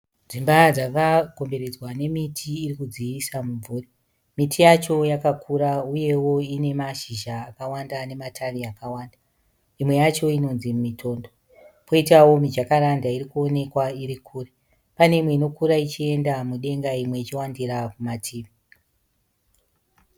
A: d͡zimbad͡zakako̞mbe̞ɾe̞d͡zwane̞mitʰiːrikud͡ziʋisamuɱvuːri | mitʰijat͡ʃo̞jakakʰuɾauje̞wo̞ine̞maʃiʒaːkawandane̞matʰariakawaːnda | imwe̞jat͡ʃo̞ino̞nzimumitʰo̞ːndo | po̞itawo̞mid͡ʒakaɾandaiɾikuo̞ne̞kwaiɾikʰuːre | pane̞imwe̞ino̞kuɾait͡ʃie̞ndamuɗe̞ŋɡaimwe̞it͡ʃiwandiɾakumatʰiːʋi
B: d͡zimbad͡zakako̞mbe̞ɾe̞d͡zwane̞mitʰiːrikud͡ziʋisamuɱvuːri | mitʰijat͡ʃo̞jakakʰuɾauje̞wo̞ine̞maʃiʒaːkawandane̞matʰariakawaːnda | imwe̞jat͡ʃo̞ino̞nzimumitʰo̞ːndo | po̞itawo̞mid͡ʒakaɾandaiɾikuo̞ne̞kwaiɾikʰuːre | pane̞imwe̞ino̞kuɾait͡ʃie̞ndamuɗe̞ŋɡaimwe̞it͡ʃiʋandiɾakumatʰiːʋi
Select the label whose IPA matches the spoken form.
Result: A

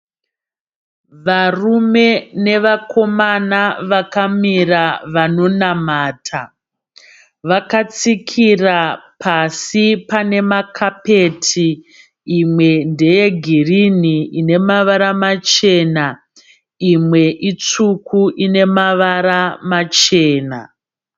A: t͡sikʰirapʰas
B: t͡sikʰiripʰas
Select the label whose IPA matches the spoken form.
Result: A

